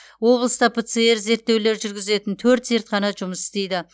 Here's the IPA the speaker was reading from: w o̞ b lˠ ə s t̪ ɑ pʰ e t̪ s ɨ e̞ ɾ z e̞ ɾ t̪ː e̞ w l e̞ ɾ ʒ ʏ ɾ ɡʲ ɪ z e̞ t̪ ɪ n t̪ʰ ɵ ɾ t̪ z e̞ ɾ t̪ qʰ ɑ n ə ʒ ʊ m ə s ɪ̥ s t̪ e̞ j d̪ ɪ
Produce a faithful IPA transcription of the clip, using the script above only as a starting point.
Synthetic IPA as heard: w o̞ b lˠ ə s t̪ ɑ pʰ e t̪ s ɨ e̞ ɾ z e̞ ɾ t̪ː e̞ w l e̞ ɾ ʒ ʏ ɾ ɡʲ ɪ z e̞ t̪ ɪ n t̪ʰ ɵ ɾ t̪ z e̞ ɾ t̪ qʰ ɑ n ɑ ʒ ʊ m ə s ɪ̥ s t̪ e̞ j d̪ ɪ